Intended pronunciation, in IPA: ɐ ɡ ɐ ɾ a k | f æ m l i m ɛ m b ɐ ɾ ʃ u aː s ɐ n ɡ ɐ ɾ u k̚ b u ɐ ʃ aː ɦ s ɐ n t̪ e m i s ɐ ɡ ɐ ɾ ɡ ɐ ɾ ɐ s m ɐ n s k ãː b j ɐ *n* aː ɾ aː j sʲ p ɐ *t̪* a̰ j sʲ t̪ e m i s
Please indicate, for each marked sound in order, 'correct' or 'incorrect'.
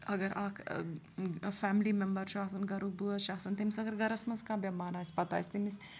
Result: incorrect, correct

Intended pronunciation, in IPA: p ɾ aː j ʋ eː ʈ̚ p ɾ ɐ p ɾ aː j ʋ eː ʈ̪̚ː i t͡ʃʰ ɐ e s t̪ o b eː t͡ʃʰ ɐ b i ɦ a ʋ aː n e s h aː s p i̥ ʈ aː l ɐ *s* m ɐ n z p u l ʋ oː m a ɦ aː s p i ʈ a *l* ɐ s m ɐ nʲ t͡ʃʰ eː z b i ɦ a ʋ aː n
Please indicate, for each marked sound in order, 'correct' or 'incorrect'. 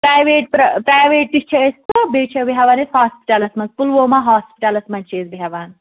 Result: correct, correct

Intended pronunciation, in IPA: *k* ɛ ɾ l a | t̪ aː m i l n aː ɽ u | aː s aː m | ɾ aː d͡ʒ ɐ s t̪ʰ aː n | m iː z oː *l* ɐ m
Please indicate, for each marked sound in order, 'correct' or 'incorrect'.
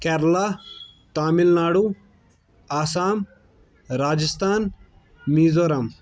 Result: correct, incorrect

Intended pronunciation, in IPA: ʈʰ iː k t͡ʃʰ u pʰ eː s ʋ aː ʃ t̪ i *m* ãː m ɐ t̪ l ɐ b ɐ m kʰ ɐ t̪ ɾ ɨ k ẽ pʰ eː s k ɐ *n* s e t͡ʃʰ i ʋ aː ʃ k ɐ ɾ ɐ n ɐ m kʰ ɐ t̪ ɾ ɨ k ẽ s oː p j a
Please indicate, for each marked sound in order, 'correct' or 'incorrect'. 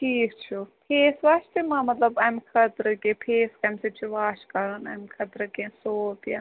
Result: correct, incorrect

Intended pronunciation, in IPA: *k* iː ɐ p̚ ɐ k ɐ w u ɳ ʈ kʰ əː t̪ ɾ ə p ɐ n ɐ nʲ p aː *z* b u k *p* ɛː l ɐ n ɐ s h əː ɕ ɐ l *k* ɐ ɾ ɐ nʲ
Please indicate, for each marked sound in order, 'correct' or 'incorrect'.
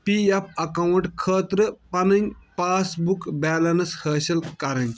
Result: incorrect, incorrect, incorrect, correct

